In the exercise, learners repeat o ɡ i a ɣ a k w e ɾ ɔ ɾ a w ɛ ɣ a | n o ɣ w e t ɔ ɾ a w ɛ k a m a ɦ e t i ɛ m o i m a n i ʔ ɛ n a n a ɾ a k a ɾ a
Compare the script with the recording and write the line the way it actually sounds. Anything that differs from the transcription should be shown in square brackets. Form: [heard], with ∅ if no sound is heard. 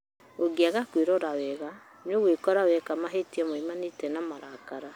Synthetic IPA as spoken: o ɡ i a ɣ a k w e ɾ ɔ ɾ a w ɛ ɣ a | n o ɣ w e [k] ɔ ɾ a w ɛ k a m a ɦ e t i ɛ m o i m a n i [t] ɛ n a [m] a ɾ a k a ɾ a